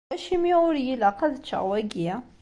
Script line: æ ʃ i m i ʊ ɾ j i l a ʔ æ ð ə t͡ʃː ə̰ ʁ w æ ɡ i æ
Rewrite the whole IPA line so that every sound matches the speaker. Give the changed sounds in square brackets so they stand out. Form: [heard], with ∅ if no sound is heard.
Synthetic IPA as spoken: æ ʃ i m i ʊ ɾ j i l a [q] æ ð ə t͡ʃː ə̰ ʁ w æ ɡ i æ